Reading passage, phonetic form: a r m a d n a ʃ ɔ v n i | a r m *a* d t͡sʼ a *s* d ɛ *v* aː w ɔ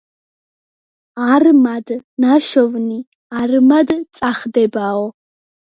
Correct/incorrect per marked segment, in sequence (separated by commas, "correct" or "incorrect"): correct, incorrect, incorrect